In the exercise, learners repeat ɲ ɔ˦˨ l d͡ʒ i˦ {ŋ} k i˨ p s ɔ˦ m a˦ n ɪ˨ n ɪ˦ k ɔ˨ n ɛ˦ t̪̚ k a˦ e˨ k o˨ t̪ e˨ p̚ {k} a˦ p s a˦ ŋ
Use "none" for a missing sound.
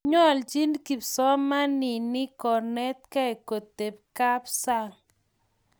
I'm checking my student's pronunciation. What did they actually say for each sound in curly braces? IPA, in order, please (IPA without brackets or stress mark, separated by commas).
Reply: n, k